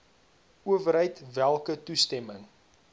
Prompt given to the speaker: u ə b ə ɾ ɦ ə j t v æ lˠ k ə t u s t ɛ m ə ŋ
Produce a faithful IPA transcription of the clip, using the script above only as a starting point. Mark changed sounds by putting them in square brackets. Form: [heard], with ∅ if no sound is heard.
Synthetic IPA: u ə [v] ə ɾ ɦ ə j t v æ lˠ k ə t u s t ɛ m ə ŋ